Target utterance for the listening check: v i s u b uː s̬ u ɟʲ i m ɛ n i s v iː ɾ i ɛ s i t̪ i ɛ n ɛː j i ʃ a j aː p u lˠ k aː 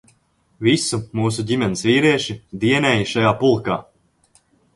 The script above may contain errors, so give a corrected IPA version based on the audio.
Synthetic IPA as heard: v i s u m uː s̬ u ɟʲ i m ɛ n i s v iː ɾ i ɛ ʃ i d̪ i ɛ n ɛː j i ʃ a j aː p u lˠ k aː